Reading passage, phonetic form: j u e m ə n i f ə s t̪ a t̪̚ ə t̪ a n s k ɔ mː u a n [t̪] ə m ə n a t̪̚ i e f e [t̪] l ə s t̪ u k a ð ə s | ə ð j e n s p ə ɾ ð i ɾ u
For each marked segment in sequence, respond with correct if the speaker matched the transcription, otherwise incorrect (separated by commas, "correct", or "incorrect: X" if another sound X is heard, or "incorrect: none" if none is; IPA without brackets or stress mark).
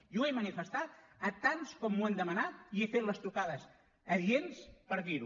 incorrect: d̪, correct